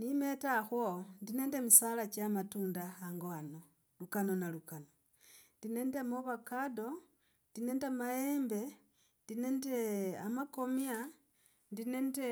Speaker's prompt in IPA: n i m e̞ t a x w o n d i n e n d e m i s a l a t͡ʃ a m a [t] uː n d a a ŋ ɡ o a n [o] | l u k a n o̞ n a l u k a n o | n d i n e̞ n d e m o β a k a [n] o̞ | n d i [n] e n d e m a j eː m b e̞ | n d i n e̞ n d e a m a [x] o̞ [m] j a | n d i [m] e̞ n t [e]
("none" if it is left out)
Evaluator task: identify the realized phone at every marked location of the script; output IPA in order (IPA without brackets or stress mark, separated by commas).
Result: t, o, d, n, k, m, n, e